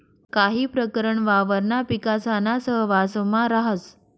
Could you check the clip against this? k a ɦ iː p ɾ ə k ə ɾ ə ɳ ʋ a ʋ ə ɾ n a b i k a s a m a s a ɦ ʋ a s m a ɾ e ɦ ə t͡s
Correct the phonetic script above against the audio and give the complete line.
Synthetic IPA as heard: k a ɦ iː p ɾ ə k ə ɾ ə ɳ ʋ a ʋ ə ɾ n a p i k a s a n a s ə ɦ ʋ a s m a ɾ a ɦ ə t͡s